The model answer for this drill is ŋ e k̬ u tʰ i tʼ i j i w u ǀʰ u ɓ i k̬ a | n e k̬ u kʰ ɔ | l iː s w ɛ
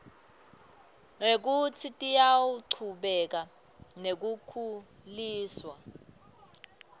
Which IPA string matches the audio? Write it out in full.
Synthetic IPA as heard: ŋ e k̬ u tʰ i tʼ i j a w u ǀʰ u ɓ ɛ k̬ a | n e k̬ u kʰ u | l iː s w a